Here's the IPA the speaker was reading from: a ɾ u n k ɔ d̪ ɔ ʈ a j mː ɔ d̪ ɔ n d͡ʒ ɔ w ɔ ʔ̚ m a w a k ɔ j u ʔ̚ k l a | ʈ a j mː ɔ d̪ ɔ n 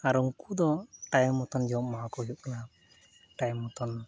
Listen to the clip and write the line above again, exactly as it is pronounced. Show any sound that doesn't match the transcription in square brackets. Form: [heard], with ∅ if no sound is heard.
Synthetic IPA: a ɾ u [ŋ] k [u] d̪ ɔ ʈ a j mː ɔ [t̪] ɔ n d͡ʒ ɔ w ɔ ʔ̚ m a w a k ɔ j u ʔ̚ k l a | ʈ a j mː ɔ [t̪] ɔ n